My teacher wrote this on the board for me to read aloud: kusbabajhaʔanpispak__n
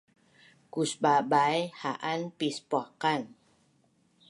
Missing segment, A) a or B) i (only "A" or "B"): A